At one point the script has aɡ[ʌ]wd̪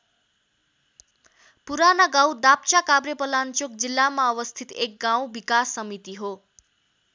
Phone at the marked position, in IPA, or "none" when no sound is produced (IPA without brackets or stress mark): a